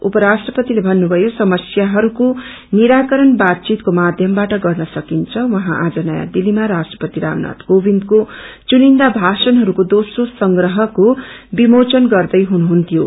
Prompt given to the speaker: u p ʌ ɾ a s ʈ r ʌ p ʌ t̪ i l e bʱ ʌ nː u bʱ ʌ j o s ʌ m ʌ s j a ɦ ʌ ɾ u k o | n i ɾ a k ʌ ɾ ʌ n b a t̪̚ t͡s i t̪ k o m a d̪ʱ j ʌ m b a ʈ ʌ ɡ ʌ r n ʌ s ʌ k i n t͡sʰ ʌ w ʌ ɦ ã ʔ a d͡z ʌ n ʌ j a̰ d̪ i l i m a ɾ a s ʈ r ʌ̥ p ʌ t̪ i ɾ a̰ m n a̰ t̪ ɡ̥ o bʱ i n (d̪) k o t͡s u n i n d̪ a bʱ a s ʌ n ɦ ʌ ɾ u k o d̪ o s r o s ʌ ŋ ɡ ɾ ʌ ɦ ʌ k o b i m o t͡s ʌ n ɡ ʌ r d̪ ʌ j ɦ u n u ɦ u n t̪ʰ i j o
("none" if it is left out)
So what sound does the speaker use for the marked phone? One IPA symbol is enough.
d̪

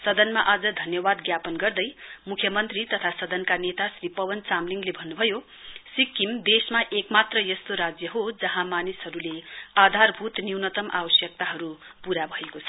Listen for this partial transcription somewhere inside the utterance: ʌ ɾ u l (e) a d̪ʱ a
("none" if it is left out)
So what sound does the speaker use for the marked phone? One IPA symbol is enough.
e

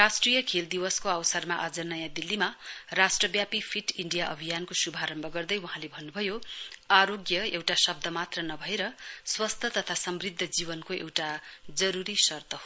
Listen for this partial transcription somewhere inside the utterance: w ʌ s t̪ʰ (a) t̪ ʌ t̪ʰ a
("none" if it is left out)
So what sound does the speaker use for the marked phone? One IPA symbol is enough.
ʌ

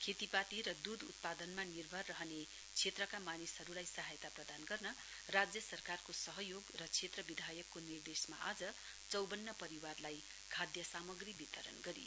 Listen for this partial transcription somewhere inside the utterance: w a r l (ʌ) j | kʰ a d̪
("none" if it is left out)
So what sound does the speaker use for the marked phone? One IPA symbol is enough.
a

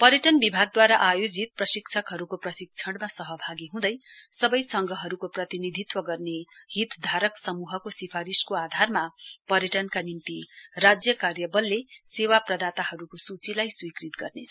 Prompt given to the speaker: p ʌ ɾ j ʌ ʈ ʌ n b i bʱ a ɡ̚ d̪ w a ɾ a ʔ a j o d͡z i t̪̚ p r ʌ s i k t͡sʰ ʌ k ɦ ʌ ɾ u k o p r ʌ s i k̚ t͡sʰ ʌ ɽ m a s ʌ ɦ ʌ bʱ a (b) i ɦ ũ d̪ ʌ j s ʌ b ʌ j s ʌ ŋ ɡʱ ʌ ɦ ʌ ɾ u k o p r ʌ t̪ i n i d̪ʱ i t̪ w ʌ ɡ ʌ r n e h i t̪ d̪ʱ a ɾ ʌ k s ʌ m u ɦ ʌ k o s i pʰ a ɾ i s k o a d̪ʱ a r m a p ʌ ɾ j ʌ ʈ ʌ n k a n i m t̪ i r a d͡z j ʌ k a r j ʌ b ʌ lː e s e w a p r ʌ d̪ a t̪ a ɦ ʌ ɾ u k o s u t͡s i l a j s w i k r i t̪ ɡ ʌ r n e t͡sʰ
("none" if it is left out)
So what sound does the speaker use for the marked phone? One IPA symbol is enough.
ɡ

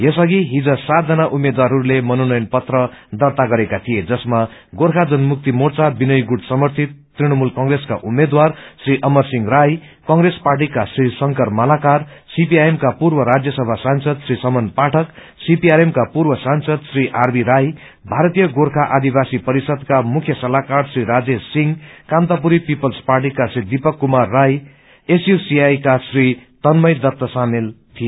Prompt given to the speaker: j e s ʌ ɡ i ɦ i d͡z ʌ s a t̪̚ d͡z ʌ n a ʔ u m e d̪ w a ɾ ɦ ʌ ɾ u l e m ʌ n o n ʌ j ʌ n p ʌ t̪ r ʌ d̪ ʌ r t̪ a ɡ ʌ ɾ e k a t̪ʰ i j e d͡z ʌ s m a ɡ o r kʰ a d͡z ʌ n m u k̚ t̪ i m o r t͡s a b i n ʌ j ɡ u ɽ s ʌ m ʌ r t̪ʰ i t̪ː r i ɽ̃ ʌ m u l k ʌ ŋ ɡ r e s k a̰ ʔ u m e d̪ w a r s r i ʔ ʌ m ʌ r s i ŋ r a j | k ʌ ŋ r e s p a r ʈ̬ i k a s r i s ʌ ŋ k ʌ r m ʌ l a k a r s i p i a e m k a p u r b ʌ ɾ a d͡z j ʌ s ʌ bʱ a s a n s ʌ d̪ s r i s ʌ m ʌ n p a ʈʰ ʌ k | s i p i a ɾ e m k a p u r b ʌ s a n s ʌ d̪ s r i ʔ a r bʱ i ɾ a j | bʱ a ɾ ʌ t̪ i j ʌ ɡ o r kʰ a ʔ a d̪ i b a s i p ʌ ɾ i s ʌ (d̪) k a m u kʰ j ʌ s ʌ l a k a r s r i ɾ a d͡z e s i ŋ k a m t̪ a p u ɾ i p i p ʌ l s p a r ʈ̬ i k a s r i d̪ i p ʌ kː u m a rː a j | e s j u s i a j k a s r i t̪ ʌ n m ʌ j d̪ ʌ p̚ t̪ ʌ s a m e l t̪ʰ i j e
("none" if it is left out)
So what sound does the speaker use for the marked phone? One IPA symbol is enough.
d̪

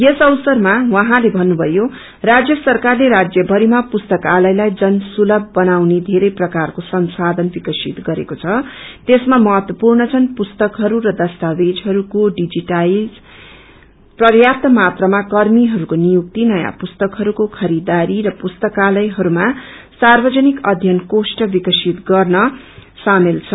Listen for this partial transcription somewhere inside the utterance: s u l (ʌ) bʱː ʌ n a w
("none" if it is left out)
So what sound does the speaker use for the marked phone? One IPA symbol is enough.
ʌ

